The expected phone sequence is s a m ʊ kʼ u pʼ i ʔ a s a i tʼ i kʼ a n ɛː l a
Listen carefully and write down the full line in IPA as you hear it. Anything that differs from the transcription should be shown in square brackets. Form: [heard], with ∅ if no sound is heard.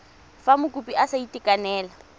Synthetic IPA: [f] a m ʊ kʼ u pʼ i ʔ a s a i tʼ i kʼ a n ɛː l a